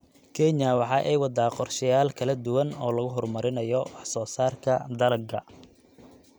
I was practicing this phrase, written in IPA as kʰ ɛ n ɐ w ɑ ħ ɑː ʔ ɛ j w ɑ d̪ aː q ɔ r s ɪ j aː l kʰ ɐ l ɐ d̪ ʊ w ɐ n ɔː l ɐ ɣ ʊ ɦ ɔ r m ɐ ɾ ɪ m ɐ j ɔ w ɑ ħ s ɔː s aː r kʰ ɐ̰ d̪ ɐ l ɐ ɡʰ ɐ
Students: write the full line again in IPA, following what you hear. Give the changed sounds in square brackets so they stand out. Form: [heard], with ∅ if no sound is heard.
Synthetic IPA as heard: kʰ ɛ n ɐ w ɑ ħ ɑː ʔ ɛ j w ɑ d̪ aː q ɔ r [ʃ] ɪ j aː l kʰ ɐ l ɐ d̪ ʊ w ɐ n ɔː l ɐ ɣ ʊ ɦ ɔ r m ɐ ɾ ɪ [n] ɐ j ɔ w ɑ ħ s ɔː s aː r kʰ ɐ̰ d̪ ɐ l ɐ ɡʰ ɐ